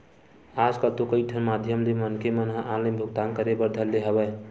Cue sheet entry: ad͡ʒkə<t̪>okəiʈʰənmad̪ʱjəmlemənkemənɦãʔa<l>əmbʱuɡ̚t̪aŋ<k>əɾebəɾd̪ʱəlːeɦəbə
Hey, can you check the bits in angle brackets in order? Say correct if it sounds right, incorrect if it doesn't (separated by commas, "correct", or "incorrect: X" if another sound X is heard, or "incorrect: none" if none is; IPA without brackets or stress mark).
correct, correct, correct